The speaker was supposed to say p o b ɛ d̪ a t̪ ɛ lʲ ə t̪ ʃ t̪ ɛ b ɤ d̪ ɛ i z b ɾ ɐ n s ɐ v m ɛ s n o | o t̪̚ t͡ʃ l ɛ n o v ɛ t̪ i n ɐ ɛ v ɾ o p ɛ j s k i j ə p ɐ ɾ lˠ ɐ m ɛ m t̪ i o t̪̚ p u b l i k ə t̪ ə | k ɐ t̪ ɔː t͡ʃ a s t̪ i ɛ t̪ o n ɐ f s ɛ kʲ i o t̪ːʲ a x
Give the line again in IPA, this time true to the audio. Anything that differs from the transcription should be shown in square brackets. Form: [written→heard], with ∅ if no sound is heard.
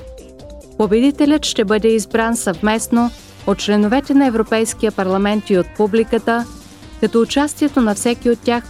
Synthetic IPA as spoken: p o b ɛ d̪ [a→i] t̪ ɛ lʲ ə t̪ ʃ t̪ ɛ b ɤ d̪ ɛ i z b ɾ [ɐ→a] n s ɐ v m ɛ s n o | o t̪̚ t͡ʃ l ɛ n o v ɛ t̪ [i→ɛ] n ɐ ɛ v ɾ o p ɛ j s k i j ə p ɐ ɾ lˠ ɐ m ɛ [m→n] t̪ i o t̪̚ p u b l i k ə t̪ ə | k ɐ t̪ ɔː t͡ʃ a s t̪ i ɛ t̪ o n ɐ f s ɛ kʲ i o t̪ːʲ a x